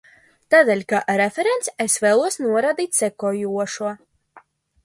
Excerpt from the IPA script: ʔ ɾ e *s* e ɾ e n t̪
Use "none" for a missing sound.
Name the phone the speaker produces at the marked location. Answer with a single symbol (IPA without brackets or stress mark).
f